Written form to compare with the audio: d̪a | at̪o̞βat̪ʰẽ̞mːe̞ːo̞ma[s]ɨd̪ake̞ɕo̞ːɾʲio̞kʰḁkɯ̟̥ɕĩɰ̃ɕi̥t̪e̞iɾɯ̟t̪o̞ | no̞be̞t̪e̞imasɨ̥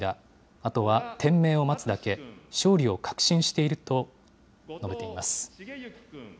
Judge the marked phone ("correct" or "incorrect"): incorrect